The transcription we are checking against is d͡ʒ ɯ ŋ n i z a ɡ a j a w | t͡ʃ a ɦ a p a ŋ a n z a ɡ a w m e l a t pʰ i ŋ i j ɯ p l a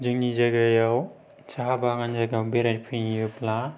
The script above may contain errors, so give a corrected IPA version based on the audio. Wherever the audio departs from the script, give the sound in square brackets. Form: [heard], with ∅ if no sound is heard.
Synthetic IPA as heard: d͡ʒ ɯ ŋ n i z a ɡ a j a w | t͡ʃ a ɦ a [b] a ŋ a n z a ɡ a w [b] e [ɾ] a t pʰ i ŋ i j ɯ p l a